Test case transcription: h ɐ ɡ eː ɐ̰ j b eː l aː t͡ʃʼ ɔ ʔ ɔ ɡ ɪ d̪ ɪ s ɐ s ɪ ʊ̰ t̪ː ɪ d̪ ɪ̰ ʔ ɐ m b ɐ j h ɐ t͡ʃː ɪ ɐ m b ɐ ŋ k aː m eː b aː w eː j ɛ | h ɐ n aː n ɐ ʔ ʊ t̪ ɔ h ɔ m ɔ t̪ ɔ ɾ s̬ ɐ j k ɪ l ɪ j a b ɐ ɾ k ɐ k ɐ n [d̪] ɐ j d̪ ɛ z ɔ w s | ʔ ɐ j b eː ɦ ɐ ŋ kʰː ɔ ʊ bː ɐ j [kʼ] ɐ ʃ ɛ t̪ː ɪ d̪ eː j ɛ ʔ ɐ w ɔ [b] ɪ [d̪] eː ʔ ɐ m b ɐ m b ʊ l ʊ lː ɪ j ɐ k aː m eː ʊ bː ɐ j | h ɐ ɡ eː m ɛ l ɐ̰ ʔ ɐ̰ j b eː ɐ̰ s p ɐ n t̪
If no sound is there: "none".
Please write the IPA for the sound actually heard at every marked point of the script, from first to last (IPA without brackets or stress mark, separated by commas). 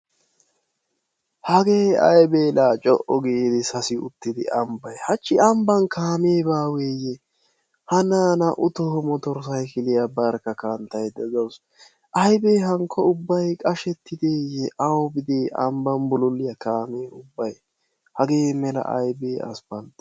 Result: t̪, kʼ, b, d̪